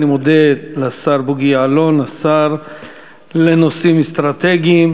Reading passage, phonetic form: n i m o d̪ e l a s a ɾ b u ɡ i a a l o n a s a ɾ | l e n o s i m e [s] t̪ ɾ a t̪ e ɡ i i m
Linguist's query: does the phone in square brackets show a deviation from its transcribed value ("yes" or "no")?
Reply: no